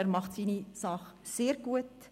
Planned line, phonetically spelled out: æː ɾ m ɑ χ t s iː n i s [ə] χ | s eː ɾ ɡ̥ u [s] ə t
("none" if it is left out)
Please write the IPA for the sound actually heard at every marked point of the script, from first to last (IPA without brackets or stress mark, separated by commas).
ɑ, none